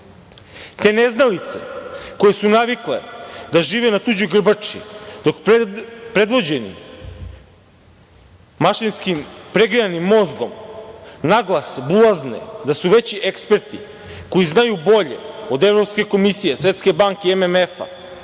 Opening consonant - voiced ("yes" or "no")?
no